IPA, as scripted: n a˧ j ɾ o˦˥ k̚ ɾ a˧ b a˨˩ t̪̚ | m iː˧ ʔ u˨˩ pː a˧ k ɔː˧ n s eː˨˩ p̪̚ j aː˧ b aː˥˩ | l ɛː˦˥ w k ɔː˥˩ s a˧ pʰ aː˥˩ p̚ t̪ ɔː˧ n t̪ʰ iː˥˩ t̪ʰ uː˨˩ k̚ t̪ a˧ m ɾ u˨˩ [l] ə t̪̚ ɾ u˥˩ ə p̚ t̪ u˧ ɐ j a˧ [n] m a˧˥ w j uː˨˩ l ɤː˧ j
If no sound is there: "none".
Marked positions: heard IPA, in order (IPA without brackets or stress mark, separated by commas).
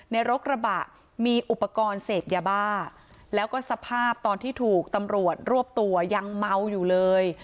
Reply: none, ŋ